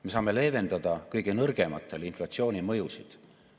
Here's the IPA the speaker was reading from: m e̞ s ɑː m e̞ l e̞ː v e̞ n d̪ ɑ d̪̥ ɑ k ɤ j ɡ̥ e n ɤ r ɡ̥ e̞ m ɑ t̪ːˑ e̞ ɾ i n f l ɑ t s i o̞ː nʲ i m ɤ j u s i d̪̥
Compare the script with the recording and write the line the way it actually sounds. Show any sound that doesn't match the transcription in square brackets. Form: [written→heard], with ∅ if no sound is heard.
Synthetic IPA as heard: m e̞ s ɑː m e̞ l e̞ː v e̞ n d̪ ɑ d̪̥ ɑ k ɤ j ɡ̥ e n ɤ r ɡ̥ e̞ m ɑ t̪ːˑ e̞ [ɾ→l] i n f l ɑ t s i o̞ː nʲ i m ɤ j u s i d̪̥